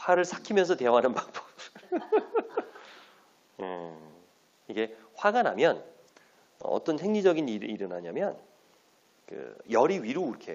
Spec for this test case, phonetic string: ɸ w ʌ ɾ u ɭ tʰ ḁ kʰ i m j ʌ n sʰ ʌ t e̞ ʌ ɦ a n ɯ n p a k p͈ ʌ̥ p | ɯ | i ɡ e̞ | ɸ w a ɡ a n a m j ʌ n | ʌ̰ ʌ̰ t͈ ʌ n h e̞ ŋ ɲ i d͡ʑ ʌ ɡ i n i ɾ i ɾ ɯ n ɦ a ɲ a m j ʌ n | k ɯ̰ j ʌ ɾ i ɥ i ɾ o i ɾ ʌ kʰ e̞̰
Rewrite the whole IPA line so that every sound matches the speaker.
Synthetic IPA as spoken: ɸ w a ɾ ɯ ɭ sʰ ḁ kʰ i m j ʌ n sʰ ʌ t e̞ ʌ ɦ a n ɯ n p a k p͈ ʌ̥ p | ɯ | i ɡ e̞ | ɸ w a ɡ a n a m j ʌ n | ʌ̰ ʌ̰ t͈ ʌ n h e̞ ŋ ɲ i d͡ʑ ʌ ɡ i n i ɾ i ɾ ɯ n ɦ a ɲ a m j ʌ n | k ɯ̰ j ʌ ɾ i ɥ i ɾ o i ɾ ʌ kʰ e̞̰